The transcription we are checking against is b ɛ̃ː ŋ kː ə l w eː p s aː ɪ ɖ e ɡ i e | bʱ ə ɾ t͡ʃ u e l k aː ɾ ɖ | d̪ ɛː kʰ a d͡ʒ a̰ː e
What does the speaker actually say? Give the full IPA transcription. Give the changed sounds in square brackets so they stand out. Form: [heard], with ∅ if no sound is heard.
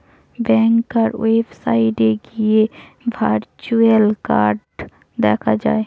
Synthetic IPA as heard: b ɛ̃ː ŋ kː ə [ɾ] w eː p s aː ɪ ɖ e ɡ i e | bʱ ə ɾ t͡ʃ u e l k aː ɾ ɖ | d̪ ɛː kʰ a d͡ʒ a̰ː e